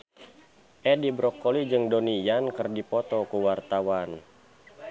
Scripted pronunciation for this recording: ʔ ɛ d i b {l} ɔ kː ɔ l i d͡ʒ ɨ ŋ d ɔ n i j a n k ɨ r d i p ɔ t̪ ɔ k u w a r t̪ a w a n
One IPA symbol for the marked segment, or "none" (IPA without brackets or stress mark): ɾ